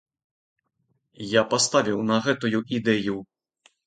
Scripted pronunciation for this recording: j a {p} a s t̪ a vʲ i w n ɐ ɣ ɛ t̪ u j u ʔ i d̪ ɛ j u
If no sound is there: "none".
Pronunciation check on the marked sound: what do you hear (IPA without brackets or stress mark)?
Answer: p